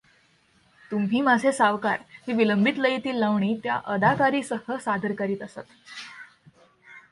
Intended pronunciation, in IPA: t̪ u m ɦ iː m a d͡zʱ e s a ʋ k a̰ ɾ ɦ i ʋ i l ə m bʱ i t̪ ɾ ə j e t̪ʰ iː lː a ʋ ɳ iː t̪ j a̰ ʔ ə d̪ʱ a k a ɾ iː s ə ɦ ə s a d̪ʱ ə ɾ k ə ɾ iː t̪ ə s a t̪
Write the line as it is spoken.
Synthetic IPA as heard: t̪ u m ɦ iː m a d͡zʱ e s a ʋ k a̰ ɾ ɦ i ʋ i l ə m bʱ i t̪ l ə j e t̪ iː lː a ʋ ɳ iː t̪ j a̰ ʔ ə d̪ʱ a k a ɾ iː s ə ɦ ə s a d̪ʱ ə ɾ k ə ɾ iː t̪ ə s a t̪